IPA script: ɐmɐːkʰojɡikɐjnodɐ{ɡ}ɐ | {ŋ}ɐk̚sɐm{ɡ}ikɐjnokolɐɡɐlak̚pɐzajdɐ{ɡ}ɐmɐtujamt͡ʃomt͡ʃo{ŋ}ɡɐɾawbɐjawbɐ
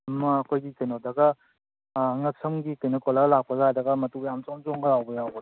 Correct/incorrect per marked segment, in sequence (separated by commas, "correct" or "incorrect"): correct, correct, correct, correct, correct